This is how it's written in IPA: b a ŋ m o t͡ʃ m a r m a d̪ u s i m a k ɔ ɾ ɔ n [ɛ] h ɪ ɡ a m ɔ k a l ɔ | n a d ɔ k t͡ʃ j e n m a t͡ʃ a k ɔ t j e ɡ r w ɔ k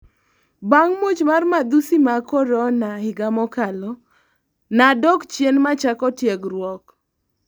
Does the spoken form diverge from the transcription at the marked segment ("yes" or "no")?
yes